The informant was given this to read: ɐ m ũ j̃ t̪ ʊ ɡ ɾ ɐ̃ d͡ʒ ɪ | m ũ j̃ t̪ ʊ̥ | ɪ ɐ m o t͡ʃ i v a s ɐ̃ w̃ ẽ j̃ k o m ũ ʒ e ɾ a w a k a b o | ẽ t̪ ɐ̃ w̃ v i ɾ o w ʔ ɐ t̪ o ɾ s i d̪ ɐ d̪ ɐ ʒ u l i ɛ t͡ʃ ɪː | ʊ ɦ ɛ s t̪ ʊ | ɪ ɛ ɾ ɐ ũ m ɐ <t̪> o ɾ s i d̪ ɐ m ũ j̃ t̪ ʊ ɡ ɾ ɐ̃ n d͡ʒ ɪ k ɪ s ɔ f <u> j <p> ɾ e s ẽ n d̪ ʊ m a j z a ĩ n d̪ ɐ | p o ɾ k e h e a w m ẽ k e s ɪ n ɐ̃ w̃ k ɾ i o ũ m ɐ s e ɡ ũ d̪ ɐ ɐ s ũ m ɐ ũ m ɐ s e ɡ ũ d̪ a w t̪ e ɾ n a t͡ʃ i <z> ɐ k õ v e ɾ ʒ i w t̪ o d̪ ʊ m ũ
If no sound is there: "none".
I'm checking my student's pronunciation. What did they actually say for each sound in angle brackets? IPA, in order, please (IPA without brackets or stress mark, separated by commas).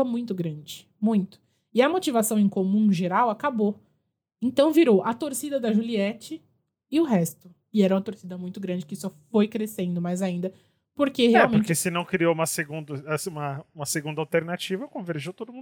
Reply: t̪, o, k, v